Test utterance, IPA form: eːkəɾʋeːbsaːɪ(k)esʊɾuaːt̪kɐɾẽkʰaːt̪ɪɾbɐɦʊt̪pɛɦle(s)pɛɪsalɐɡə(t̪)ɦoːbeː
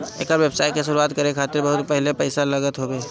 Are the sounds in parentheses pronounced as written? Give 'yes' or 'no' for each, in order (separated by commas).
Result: yes, no, yes